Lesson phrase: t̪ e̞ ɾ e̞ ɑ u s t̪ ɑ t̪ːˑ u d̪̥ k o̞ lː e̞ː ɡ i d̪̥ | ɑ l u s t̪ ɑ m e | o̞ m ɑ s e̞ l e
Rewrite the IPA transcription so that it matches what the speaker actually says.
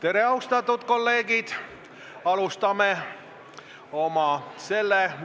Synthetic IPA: t̪ e̞ ɾ e̞ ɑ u s t̪ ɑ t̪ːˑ u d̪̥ k o̞ lː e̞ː ɡ i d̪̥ | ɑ l u s t̪ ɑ m e | o̞ m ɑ s e̞ lː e